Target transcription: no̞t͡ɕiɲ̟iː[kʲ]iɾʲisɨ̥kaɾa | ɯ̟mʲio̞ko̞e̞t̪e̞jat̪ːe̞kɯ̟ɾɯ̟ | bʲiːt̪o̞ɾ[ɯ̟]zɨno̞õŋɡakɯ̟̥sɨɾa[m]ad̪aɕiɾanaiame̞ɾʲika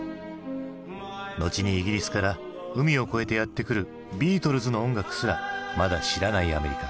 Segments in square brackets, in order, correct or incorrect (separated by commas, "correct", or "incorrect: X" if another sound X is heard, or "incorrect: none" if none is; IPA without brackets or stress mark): incorrect: ɡʲ, correct, correct